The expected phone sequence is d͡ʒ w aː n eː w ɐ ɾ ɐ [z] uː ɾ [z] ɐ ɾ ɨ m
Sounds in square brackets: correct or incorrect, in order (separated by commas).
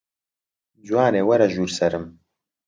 incorrect, incorrect